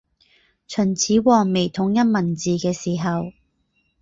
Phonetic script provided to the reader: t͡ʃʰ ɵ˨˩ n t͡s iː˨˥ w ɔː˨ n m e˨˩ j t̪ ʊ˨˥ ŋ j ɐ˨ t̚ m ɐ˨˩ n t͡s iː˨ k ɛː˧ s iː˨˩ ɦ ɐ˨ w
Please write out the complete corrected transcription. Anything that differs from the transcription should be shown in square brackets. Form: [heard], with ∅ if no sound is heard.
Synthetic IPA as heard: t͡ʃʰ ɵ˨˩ n [t͡sʰ] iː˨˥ w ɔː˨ [ŋ] m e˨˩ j [t̪ʰ] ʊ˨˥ ŋ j [ɐ˥] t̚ m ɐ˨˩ n t͡s iː˨ k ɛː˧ s iː˨˩ ɦ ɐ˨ w